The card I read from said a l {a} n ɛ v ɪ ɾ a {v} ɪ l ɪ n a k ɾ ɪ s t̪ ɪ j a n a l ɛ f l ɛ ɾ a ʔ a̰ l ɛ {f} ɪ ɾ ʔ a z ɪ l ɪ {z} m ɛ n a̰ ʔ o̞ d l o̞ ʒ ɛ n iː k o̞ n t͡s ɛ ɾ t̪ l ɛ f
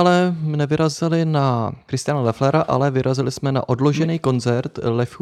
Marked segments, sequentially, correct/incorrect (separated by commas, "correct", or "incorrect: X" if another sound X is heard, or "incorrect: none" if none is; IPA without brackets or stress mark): incorrect: ɛ, incorrect: z, incorrect: v, incorrect: s